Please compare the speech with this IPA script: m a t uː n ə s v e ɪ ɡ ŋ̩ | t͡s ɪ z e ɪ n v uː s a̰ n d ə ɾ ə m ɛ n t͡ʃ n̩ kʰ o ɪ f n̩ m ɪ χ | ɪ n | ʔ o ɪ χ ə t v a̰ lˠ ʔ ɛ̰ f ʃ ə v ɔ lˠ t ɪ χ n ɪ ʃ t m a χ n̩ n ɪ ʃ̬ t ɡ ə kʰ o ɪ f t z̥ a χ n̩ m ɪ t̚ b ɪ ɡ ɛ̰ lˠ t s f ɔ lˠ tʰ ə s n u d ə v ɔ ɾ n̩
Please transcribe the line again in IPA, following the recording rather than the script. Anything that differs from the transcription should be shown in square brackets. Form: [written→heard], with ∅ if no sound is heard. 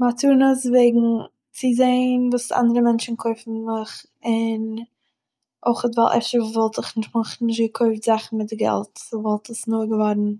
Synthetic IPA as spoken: m a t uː n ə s v e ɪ ɡ ŋ̩ | t͡s ɪ z e ɪ n v uː s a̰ n d ə ɾ ə m ɛ n t͡ʃ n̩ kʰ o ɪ f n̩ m ɪ χ | ɪ n | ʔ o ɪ χ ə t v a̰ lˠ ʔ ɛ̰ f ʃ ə v ɔ lˠ t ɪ χ n ɪ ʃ t m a χ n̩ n ɪ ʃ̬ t ɡ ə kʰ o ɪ f t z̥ a χ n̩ m ɪ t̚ [b→d] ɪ ɡ ɛ̰ lˠ t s [f→v] ɔ lˠ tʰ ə s n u [d→ɡ] ə v ɔ ɾ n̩